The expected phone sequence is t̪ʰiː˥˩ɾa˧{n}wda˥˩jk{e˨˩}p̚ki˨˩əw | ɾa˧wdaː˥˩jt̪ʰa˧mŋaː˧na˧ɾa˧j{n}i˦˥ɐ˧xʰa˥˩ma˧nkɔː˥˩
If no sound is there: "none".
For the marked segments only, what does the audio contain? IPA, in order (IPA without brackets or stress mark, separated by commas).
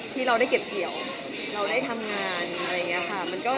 none, e˨˩, ŋ